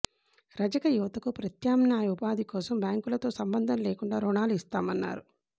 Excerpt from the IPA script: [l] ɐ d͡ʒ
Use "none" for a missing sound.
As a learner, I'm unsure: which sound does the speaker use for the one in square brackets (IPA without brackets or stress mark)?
ɾ